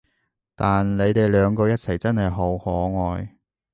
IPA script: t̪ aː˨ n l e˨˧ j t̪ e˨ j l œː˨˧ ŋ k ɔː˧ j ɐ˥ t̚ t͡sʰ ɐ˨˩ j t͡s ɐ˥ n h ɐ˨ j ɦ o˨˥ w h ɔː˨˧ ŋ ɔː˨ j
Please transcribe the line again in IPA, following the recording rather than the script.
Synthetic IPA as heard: t̪ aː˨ n l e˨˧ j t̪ e˨ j l œː˨˧ ŋ k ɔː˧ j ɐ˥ t̚ t͡sʰ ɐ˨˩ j t͡s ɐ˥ n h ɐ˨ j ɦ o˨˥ w h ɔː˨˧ ŋ ɔː˨ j